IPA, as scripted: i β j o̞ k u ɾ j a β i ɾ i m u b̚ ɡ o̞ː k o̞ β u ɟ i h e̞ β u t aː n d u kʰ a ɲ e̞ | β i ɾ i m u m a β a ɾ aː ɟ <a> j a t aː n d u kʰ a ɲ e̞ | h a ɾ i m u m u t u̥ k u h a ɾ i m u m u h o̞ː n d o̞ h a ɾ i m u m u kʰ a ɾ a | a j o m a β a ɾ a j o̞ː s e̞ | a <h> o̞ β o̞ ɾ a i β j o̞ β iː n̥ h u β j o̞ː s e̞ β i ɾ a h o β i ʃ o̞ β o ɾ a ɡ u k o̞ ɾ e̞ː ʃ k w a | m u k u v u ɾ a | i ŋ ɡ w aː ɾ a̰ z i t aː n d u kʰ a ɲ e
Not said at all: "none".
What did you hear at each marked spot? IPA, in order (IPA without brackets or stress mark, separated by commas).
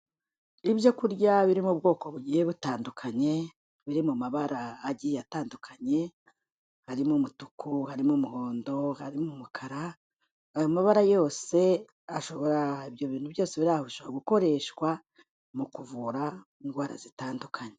i, ʃ